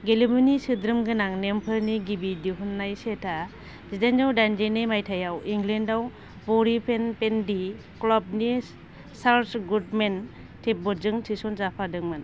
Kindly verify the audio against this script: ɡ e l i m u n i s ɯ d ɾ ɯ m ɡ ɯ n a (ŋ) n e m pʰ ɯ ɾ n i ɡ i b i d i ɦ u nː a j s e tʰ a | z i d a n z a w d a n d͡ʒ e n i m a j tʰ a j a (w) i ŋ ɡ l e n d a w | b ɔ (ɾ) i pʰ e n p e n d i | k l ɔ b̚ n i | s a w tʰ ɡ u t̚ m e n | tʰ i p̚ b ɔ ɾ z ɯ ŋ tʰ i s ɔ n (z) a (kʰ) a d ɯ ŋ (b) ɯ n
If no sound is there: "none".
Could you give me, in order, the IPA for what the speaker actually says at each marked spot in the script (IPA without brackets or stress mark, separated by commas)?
ŋ, w, ɾ, z, pʰ, m